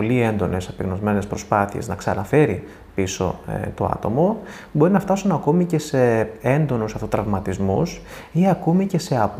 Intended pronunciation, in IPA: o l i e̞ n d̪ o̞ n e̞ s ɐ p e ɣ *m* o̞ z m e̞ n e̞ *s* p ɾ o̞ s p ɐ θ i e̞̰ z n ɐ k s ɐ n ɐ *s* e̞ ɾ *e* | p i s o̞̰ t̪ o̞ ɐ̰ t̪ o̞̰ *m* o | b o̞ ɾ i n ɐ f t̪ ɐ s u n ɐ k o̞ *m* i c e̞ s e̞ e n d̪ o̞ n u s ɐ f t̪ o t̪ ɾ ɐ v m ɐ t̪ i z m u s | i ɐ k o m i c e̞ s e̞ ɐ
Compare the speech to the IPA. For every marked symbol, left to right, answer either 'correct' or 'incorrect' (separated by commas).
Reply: incorrect, correct, incorrect, incorrect, correct, correct